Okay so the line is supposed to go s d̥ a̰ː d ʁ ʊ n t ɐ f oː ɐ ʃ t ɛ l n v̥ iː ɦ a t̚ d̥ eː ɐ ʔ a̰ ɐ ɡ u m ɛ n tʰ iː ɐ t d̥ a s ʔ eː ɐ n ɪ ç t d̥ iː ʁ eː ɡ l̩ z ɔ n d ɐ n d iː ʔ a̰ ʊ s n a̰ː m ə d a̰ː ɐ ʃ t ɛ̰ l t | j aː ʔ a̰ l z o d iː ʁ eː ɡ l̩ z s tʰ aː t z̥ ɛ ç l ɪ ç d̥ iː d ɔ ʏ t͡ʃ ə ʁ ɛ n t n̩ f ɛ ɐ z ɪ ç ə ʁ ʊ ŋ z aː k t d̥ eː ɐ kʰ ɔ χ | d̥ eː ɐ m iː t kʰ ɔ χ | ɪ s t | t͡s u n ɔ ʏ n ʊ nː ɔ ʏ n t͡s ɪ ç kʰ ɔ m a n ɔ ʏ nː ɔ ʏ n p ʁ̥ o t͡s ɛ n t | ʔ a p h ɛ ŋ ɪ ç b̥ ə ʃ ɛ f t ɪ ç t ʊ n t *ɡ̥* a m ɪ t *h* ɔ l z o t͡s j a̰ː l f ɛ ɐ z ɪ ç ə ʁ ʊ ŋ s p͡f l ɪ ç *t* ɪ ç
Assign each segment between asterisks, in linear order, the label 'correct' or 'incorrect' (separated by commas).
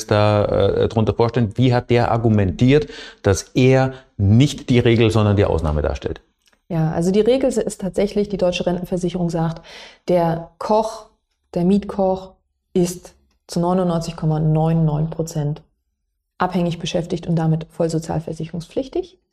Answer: incorrect, incorrect, correct